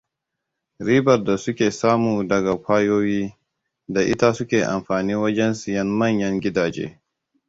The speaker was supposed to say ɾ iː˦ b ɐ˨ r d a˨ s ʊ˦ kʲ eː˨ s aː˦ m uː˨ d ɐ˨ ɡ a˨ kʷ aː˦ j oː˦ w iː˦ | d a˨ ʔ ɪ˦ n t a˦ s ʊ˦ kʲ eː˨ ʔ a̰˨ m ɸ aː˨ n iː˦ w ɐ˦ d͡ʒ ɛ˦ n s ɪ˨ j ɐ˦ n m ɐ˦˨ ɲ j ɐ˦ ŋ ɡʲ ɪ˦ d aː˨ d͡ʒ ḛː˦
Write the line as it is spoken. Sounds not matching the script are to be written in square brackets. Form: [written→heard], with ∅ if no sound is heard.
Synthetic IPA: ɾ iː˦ b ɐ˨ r d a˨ s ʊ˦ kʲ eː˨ s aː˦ m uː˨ d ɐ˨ ɡ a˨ kʷ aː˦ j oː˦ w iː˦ | d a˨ ʔ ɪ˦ [n→∅] t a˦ s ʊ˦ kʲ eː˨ ʔ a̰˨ m ɸ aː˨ n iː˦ w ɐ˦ d͡ʒ ɛ˦ n s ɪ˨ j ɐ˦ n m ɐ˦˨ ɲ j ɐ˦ ŋ ɡʲ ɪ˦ d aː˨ d͡ʒ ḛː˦